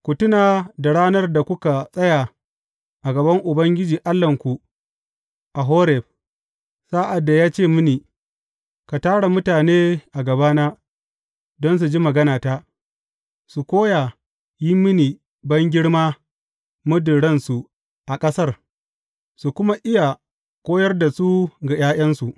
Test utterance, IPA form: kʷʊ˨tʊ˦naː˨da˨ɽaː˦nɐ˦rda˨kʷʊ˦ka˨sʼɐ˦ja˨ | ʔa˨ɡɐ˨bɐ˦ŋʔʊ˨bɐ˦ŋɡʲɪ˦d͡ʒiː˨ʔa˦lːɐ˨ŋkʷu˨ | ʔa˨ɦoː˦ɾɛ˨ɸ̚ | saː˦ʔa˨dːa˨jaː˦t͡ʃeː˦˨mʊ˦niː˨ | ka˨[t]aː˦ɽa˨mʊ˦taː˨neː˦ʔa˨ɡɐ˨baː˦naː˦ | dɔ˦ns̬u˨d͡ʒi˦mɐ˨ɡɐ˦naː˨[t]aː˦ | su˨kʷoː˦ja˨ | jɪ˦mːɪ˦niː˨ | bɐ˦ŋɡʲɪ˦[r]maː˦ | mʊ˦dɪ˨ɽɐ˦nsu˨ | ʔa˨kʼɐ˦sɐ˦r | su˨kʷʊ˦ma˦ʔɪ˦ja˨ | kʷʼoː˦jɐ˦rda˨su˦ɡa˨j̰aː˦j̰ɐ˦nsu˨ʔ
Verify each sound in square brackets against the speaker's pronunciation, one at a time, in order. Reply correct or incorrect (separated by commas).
correct, correct, incorrect